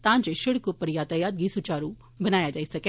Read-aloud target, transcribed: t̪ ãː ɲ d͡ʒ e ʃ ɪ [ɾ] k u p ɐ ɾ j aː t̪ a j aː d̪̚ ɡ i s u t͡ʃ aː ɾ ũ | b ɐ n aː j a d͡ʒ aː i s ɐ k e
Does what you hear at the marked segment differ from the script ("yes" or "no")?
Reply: yes